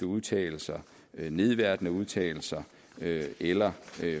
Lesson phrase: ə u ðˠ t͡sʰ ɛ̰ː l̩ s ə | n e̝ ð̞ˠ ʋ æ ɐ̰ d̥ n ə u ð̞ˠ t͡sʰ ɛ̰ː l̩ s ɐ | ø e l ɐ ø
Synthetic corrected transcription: ə u ðˠ t͡sʰ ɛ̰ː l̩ s ɐ | n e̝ ð̞ˠ ʋ æ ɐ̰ d̥ n ə u ð̞ˠ t͡sʰ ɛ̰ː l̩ s ɐ | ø e l ɐ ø